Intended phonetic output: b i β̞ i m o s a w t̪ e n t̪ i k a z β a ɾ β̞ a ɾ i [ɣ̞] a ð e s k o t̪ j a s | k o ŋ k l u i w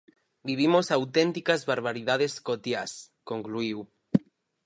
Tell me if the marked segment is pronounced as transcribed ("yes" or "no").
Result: no